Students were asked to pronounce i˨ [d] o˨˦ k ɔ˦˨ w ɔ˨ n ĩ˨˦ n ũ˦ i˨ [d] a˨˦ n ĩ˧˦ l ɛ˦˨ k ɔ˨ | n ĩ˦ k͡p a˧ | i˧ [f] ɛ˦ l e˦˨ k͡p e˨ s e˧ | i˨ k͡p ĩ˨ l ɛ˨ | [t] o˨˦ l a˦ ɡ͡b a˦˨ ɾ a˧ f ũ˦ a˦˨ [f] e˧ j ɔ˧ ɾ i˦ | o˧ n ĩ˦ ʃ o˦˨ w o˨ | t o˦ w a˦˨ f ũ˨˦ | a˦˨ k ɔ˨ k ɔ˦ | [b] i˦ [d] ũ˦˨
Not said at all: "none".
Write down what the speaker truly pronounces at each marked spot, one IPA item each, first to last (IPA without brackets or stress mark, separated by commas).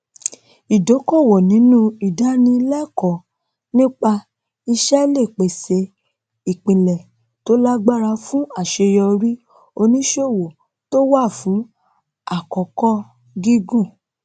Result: d, d, ʃ, t, ʃ, ɡ, ɡ